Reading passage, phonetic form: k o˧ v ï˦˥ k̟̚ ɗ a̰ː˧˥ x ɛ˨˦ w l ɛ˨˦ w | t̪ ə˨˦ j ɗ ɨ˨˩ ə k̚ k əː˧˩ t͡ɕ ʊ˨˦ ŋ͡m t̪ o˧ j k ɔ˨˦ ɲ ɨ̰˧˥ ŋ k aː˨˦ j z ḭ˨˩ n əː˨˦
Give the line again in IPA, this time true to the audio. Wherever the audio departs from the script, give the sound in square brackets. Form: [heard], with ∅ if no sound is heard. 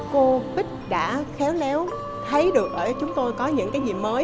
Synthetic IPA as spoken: k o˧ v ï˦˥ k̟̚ ɗ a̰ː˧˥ x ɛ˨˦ w l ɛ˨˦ w | [t̪ʰ] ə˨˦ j ɗ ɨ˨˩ ə k̚ [ʔ] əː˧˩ t͡ɕ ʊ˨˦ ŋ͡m t̪ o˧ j k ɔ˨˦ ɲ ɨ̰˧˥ ŋ k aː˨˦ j z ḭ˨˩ [m] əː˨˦